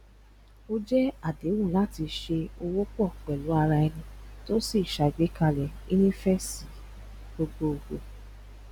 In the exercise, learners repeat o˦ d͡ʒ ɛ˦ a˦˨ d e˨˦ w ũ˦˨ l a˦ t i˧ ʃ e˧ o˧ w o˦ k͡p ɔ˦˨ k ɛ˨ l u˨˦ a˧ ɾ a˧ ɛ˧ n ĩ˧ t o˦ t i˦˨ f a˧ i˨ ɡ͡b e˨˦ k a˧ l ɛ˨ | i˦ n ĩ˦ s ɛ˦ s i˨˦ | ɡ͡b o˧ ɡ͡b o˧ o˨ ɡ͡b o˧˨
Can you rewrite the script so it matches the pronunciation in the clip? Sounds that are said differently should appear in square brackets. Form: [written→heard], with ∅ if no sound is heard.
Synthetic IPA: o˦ d͡ʒ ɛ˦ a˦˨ d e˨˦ w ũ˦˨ l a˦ t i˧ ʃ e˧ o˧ w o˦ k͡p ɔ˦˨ [k→k͡p] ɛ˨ l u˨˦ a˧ ɾ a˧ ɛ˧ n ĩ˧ t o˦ [t→s] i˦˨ [f→ʃ] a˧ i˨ ɡ͡b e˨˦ k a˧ l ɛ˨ | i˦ n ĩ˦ [s→f] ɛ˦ s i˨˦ | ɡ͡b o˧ ɡ͡b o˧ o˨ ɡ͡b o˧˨